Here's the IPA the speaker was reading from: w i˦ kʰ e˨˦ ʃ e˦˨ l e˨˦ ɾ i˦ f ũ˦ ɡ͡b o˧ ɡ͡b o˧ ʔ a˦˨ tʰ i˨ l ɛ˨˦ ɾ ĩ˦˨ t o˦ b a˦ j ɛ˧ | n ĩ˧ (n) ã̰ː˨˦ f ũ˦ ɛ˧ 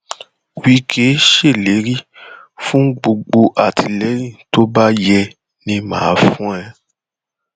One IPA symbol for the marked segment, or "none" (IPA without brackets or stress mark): m